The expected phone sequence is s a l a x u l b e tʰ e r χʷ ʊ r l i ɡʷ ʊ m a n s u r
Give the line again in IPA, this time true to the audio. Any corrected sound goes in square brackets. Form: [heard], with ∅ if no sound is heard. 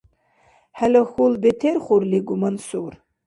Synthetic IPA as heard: [ħ] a l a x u l b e tʰ e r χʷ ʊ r l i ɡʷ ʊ m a n s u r